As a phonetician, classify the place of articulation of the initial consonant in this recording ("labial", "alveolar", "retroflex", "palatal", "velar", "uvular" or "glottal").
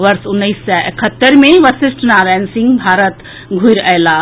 labial